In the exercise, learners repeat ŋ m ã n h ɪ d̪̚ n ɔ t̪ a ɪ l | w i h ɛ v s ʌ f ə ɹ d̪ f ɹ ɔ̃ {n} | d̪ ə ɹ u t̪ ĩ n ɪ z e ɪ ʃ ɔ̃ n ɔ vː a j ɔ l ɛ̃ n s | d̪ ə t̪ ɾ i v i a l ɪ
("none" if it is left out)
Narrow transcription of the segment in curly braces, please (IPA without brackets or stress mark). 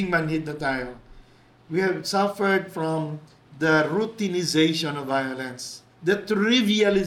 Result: m